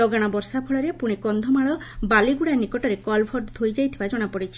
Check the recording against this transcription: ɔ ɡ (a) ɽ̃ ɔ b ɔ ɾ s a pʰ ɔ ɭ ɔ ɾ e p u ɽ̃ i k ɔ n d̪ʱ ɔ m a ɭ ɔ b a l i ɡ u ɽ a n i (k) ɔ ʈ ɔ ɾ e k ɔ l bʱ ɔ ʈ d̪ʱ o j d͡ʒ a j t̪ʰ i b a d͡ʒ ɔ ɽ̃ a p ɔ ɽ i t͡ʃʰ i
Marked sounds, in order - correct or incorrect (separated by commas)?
correct, correct